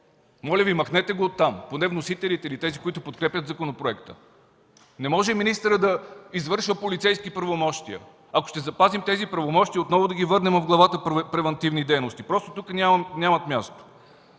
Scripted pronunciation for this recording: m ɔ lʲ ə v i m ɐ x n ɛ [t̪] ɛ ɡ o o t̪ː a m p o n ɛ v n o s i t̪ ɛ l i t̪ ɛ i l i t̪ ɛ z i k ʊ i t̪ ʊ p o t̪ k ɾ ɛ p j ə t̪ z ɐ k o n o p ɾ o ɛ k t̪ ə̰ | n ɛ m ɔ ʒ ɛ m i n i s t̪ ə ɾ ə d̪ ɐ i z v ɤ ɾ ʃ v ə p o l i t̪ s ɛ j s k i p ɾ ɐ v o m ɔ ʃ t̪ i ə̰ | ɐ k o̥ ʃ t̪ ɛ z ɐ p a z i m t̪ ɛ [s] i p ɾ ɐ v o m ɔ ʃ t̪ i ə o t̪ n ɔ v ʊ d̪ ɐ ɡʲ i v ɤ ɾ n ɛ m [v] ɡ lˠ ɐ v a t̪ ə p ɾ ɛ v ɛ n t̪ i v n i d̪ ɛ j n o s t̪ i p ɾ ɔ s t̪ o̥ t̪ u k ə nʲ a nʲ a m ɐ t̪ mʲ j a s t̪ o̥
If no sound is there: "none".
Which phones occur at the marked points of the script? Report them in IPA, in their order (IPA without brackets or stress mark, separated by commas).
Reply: t̪, z, v